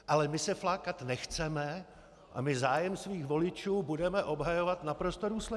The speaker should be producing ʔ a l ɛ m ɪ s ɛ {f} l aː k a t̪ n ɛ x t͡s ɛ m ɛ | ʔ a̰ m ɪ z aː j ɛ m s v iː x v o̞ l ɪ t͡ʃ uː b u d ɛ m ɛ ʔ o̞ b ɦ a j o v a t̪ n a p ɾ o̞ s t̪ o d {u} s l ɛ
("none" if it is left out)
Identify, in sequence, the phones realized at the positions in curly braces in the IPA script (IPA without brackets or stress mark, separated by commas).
f, uː